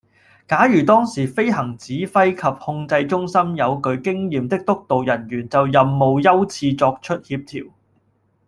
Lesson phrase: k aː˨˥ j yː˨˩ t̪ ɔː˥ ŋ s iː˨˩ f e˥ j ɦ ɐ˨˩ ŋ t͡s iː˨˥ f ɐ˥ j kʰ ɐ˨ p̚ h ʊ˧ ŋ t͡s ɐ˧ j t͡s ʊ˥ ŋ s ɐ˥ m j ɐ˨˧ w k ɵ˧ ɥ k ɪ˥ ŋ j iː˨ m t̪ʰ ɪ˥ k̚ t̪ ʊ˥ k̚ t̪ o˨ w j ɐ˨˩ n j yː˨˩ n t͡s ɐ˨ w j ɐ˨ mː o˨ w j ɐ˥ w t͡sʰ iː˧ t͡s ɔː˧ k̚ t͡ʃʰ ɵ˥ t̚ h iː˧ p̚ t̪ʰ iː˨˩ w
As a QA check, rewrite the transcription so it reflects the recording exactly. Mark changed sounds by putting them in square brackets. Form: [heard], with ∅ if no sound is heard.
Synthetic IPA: k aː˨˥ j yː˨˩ t̪ ɔː˥ ŋ s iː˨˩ f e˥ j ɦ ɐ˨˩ ŋ t͡s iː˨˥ f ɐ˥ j kʰ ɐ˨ p̚ h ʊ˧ ŋ t͡s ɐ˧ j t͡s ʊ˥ ŋ s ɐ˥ m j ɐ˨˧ w k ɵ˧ ɥ k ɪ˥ ŋ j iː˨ m [t̪] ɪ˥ k̚ t̪ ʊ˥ k̚ t̪ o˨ w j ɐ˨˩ n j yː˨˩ n t͡s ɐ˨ w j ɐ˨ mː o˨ w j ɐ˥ w t͡sʰ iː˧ t͡s ɔː˧ k̚ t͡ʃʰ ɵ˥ t̚ h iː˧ p̚ t̪ʰ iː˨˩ w

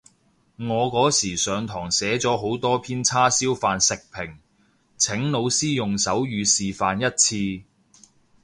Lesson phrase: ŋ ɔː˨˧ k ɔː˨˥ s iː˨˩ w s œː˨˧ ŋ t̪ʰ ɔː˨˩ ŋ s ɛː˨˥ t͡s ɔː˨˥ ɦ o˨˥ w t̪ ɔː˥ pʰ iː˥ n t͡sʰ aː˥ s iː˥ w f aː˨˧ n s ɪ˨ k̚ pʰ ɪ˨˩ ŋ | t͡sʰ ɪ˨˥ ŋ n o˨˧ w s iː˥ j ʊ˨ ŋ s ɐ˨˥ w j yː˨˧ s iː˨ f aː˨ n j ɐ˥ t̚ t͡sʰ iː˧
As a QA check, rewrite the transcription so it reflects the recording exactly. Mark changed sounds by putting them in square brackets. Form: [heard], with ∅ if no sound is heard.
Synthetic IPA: ŋ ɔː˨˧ k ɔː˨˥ s iː˨˩ [∅] s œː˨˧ ŋ t̪ʰ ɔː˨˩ ŋ s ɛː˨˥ t͡s ɔː˨˥ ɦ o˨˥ w t̪ ɔː˥ pʰ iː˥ n t͡sʰ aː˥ s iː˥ w f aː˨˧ n s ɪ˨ k̚ pʰ ɪ˨˩ ŋ | t͡sʰ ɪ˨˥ ŋ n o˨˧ w s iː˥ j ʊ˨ ŋ s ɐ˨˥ w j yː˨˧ s iː˨ f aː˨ n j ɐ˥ t̚ t͡sʰ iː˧

